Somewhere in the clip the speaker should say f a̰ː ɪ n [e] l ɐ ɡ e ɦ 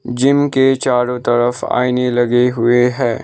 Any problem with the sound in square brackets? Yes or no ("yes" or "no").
no